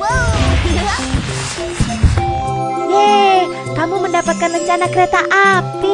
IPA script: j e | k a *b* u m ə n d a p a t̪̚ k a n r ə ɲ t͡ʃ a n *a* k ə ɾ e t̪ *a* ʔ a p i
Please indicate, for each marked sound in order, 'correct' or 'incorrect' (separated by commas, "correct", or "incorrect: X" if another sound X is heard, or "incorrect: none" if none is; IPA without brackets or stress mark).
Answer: incorrect: m, correct, correct